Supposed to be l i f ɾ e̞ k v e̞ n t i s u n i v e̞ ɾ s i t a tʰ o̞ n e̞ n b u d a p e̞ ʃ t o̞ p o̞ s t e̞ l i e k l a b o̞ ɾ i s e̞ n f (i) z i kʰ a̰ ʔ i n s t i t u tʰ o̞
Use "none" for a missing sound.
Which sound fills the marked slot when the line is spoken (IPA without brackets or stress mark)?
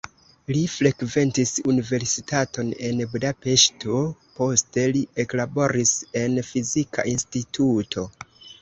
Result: i